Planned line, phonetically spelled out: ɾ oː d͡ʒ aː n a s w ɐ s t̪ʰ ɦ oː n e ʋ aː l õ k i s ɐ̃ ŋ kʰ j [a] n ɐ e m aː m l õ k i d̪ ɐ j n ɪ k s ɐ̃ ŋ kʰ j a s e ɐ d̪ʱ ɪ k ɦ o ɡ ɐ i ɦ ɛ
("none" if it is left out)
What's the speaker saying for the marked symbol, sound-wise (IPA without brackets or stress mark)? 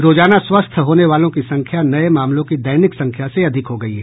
a